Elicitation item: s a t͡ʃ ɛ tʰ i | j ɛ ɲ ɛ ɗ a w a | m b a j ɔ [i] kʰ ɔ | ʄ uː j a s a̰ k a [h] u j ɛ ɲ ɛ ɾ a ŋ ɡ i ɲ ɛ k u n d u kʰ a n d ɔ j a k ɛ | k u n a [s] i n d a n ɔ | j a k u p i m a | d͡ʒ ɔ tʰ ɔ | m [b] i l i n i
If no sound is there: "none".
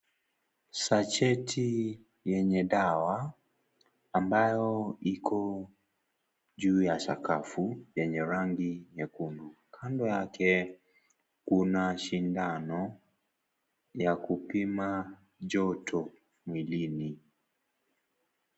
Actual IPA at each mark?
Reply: i, f, ʃ, w

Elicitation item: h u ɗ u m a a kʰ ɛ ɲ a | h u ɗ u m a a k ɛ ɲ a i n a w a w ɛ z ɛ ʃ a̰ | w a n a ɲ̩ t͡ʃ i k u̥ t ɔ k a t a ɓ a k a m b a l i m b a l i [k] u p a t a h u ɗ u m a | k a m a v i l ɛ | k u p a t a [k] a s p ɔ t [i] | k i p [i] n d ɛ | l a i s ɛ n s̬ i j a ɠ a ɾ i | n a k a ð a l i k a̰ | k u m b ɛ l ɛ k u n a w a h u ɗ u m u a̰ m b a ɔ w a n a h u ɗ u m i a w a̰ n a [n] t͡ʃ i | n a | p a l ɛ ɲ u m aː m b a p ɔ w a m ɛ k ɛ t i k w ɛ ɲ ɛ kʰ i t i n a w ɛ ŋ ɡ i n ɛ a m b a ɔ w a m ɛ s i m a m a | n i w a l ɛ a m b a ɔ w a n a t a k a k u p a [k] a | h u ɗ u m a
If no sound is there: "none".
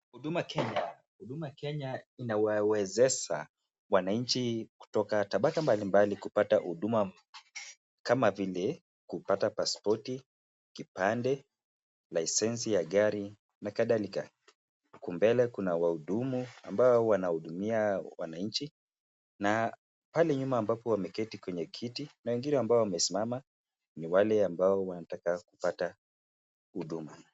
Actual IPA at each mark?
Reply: k, p, i, a, ɲ, t

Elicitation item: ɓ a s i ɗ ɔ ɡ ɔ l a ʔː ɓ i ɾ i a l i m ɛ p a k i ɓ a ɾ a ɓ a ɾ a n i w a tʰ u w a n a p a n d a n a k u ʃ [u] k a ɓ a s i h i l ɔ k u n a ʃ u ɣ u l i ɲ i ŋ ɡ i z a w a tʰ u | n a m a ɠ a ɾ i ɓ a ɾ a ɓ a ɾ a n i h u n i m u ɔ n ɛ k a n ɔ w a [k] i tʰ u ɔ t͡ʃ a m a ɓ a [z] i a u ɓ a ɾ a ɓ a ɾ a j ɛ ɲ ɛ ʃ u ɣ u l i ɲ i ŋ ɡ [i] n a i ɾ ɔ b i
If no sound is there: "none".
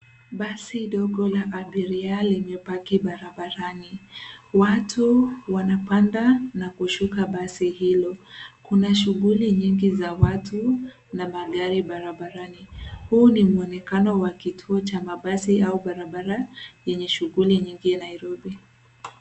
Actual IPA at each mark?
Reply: u, k, s, i

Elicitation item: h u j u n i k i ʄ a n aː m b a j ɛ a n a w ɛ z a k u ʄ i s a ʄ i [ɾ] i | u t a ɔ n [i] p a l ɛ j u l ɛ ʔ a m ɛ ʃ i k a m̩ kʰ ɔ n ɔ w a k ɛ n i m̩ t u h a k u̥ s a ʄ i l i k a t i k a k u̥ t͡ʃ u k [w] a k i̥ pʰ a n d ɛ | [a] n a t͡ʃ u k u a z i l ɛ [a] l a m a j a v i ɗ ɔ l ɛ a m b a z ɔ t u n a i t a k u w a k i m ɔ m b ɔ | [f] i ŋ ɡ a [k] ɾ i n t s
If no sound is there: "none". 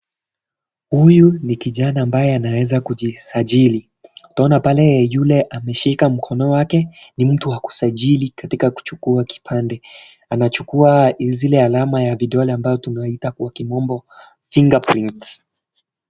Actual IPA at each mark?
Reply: l, a, u, a, a, f, p

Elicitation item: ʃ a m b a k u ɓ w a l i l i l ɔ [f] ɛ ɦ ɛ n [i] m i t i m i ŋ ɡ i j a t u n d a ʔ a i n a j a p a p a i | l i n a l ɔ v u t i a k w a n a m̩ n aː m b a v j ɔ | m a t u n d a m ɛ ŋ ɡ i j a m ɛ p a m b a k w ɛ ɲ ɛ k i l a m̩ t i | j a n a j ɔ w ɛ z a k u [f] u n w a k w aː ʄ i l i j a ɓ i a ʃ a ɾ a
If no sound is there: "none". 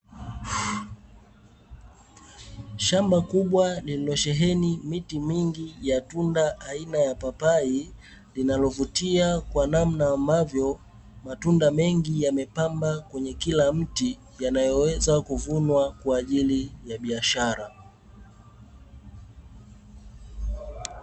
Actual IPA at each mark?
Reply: ʃ, i, v

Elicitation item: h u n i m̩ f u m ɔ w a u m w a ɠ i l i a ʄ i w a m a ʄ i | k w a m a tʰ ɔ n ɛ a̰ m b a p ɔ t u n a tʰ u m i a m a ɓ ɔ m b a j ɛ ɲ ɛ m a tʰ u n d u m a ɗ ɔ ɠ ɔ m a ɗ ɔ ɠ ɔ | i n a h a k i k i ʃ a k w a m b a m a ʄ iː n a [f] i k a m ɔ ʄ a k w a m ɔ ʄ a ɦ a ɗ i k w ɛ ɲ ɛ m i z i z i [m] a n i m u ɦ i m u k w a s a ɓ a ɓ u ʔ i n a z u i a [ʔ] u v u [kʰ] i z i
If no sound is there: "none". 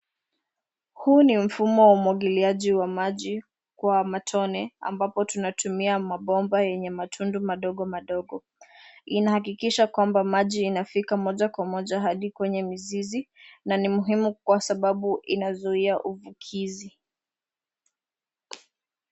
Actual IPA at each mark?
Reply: f, n, ʔ, kʰ

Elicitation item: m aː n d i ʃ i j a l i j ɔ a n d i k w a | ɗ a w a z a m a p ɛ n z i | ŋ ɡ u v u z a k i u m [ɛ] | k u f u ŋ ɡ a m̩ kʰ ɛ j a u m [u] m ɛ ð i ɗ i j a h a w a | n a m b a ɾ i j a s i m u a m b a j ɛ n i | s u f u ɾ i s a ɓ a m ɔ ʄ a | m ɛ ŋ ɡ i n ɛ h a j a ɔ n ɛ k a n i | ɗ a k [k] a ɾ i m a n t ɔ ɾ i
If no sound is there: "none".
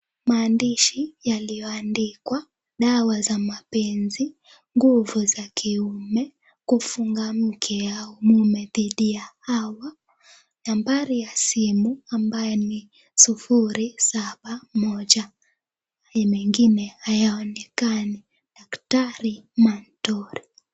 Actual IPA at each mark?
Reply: ɛ, u, t

